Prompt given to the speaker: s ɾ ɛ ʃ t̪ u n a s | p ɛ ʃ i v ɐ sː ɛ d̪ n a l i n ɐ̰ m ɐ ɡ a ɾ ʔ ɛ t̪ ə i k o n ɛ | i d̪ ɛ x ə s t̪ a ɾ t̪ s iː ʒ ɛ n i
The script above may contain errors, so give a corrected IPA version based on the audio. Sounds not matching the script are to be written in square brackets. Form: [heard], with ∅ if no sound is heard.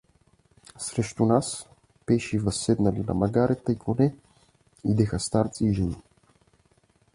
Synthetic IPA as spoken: s ɾ ɛ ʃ t̪ u n a s | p ɛ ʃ i v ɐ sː ɛ d̪ n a l i n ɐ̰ m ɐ ɡ a ɾ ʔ ɛ t̪ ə i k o n ɛ | i d̪ ɛ x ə s t̪ a ɾ t̪ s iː ʒ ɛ n i